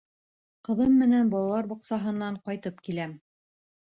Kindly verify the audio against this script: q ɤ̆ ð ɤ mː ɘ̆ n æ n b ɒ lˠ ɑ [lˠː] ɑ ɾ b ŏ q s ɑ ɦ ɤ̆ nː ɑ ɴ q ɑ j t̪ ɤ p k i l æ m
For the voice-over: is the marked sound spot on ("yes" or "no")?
no